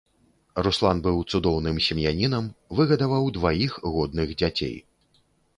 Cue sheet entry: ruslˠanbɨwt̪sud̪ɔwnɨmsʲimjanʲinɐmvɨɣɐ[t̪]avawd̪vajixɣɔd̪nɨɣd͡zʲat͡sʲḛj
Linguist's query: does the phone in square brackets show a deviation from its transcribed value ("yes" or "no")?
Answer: yes